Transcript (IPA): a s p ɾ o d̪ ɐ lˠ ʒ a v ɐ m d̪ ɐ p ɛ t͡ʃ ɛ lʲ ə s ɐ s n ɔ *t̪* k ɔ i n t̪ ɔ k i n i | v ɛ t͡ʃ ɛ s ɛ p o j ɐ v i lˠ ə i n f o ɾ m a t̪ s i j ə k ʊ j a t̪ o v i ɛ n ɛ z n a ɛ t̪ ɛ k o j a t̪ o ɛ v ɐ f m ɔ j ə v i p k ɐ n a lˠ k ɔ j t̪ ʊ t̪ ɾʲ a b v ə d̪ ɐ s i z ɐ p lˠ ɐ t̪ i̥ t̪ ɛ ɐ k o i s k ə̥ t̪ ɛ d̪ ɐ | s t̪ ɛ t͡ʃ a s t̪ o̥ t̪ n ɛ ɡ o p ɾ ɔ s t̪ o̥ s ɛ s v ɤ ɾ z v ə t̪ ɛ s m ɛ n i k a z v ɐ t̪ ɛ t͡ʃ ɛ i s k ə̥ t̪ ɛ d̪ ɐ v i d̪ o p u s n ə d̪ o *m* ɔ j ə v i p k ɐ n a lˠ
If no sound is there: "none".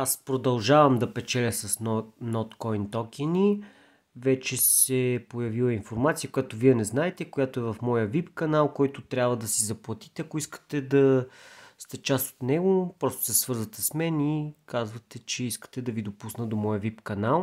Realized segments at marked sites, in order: t̪, m

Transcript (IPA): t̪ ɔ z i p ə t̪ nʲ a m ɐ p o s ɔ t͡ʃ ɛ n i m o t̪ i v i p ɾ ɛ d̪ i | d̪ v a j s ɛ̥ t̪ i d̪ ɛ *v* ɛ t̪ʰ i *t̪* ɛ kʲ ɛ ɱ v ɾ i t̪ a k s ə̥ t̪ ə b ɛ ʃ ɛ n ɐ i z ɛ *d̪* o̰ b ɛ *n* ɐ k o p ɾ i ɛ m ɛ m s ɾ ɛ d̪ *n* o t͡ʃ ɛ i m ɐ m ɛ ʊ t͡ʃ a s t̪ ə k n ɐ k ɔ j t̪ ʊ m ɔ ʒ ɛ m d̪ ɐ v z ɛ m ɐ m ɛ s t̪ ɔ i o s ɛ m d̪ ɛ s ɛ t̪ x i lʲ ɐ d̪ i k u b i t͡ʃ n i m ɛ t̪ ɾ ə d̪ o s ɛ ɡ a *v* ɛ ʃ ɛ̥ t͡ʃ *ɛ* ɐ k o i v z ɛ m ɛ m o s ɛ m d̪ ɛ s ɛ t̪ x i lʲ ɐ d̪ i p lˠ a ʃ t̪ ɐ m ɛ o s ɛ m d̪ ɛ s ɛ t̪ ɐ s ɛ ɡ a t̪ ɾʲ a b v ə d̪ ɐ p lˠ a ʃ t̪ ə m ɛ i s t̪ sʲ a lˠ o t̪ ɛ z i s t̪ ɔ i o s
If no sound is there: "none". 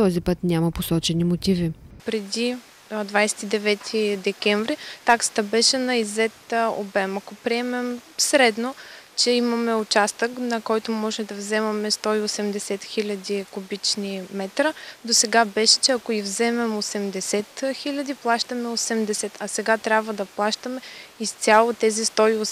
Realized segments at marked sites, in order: v, d̪, t̪, m, n, b, ɛ

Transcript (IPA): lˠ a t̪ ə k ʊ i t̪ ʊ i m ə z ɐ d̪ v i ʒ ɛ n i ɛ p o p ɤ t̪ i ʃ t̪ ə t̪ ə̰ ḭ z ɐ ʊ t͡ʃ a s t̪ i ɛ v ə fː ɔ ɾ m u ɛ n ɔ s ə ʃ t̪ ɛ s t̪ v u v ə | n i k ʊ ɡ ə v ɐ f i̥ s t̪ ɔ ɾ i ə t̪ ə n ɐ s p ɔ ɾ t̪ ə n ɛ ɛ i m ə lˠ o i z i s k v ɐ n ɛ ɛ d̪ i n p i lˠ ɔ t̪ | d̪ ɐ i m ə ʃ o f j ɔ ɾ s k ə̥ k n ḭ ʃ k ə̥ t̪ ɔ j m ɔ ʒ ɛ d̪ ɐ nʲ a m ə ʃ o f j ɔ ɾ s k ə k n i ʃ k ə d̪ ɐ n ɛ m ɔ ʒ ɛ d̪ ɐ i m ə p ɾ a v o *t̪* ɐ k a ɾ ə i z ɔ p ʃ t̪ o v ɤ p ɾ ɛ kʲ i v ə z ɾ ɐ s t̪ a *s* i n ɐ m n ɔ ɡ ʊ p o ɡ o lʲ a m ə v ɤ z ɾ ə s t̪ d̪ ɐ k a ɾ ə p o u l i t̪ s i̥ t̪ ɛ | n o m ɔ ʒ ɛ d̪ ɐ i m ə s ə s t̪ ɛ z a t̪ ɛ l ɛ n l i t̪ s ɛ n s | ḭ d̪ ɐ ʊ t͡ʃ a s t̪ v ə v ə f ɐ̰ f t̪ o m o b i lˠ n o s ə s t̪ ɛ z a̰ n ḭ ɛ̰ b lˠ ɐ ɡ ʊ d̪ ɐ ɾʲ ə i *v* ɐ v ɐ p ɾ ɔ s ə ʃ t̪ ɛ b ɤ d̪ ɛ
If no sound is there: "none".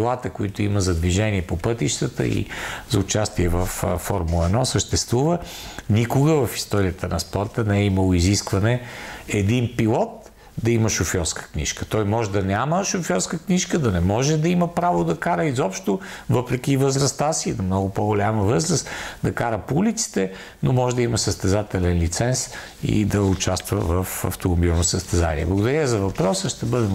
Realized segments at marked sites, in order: d̪, s, z

